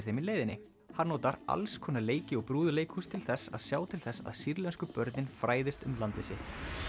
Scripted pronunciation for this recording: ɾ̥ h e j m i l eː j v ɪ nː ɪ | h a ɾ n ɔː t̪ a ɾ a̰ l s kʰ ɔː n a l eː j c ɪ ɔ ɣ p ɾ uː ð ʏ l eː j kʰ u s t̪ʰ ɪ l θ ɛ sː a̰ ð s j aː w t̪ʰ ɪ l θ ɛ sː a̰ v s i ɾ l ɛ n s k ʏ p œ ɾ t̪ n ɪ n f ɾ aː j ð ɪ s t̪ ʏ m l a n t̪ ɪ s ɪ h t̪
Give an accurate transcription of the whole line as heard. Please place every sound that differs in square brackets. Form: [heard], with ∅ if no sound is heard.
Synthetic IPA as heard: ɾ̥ [θ] e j m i l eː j [ð] ɪ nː ɪ | h a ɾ n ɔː t̪ a ɾ a̰ l s kʰ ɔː n a l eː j c ɪ ɔ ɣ p ɾ uː ð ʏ l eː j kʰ u s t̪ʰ ɪ l θ ɛ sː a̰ ð s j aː w t̪ʰ ɪ l θ ɛ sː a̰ [ð] s i ɾ l ɛ n s k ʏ p œ ɾ t̪ n ɪ n f ɾ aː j ð ɪ s t̪ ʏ m l a n t̪ ɪ s ɪ h t̪

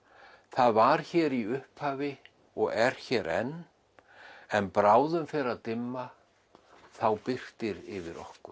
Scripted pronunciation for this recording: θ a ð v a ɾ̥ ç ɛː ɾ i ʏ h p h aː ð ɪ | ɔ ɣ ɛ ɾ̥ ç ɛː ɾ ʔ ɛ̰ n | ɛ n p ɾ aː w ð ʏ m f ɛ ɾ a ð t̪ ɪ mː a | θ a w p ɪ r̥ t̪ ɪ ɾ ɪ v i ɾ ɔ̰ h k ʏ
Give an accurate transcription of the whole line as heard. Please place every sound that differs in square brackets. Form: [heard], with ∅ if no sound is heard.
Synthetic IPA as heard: θ a ð v a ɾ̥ ç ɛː ɾ i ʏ h p h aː [v] ɪ | ɔ ɣ ɛ ɾ̥ ç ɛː ɾ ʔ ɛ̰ n | ɛ n p ɾ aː w ð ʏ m f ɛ ɾ a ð t̪ ɪ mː a | θ a w p ɪ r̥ t̪ ɪ ɾ ɪ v [ɪ] ɾ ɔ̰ h k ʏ

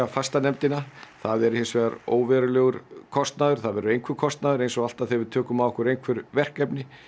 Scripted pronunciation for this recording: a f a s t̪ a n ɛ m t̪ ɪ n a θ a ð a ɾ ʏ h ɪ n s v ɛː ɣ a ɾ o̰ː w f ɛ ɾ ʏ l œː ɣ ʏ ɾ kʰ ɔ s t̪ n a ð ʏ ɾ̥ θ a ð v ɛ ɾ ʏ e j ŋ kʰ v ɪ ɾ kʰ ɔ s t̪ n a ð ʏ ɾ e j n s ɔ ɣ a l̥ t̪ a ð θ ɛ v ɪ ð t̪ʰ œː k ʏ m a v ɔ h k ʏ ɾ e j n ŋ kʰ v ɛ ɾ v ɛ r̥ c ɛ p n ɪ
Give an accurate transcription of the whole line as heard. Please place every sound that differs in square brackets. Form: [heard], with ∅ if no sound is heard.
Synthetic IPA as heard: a f a s t̪ a n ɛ m t̪ ɪ n a θ a ð [ɛ] ɾ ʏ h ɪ n s v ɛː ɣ a ɾ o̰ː w [v] ɛ ɾ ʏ l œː ɣ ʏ ɾ kʰ ɔ s t̪ n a ð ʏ ɾ̥ θ a ð v ɛ ɾ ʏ e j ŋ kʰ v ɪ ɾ kʰ ɔ s t̪ n a ð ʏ ɾ e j n s ɔ ɣ a l̥ t̪ a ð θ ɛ v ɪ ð t̪ʰ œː k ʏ m a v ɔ h k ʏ ɾ e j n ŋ kʰ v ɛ ɾ v ɛ r̥ [k] ɛ p n ɪ

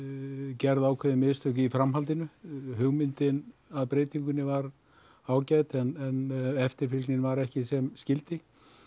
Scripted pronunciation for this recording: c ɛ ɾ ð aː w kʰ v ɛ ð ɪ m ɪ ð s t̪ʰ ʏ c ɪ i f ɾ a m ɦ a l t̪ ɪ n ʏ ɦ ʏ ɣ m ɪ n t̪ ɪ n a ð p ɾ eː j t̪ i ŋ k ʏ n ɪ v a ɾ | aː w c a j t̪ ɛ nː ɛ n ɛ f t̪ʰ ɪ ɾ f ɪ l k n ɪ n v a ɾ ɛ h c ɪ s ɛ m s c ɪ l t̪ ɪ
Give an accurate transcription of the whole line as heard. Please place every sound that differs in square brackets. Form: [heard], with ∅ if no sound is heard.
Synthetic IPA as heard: c ɛ ɾ ð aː w kʰ v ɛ ð ɪ m ɪ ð s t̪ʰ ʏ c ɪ i f ɾ a m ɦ a l t̪ ɪ n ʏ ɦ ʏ ɣ m ɪ n t̪ ɪ n a ð p ɾ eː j t̪ i ŋ k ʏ n ɪ v a ɾ | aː w c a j t̪ ɛ [n] ɛ n ɛ f [t̪] ɪ ɾ f ɪ l k n ɪ n v a ɾ ɛ h c ɪ s ɛ m s c ɪ l t̪ ɪ

